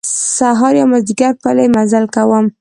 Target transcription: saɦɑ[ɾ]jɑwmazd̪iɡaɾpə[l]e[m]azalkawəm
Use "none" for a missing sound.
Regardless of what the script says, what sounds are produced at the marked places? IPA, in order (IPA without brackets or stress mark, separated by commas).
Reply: ɾ, l, m